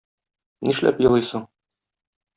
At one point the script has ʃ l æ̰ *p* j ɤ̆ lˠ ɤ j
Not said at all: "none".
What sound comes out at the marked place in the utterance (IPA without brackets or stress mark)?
p